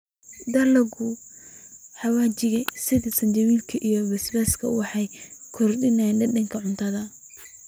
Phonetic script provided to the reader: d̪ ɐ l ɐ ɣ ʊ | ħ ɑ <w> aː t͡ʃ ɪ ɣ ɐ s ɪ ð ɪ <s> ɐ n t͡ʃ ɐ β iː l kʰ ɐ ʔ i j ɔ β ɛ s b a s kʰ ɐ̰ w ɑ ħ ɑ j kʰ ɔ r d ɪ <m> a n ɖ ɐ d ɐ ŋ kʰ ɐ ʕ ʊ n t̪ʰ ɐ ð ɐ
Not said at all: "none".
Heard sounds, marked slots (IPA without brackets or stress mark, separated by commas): w, s, n